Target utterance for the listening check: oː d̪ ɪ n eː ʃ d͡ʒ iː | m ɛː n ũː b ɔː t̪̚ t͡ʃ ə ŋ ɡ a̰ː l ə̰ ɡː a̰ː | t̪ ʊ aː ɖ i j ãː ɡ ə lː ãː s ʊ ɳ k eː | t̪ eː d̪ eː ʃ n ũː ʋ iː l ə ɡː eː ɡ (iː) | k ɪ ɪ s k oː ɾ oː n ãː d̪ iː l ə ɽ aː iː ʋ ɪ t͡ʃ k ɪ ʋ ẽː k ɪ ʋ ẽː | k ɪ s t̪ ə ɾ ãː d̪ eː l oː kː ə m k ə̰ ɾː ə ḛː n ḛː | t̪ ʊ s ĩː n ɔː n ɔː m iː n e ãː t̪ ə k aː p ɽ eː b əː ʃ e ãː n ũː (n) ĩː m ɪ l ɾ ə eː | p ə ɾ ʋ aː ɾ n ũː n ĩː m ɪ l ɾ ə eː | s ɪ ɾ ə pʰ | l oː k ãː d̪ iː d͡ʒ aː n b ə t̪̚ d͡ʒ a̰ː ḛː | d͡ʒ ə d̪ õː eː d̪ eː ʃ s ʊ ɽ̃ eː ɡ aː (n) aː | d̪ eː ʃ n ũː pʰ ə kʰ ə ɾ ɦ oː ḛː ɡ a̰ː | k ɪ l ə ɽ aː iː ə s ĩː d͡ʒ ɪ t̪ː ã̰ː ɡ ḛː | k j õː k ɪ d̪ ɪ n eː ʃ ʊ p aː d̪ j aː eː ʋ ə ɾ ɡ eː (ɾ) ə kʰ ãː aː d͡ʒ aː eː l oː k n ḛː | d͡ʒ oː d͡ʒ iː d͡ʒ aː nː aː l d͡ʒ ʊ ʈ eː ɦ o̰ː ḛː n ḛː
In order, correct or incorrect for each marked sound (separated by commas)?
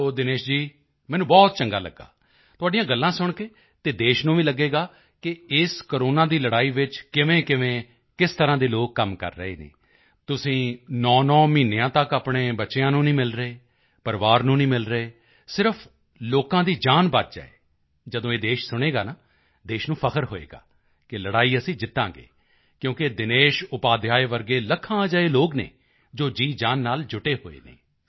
incorrect, correct, correct, incorrect